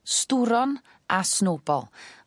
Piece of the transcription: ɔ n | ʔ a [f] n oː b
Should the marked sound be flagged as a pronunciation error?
yes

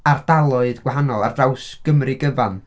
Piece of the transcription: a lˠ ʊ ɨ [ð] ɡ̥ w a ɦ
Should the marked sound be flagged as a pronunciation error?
no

